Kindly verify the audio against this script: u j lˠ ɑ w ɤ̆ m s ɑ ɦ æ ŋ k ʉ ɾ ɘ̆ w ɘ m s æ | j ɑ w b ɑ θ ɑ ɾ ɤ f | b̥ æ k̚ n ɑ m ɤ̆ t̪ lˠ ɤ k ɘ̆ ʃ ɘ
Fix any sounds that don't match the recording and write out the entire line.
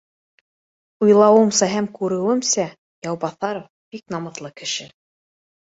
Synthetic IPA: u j lˠ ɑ w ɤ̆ m s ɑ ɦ æ m k ʉ ɾ ɘ̆ w ɘ m s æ | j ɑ w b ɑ θ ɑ ɾ o f | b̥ i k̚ n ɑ m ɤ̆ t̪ lˠ ɤ k ɘ̆ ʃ ɘ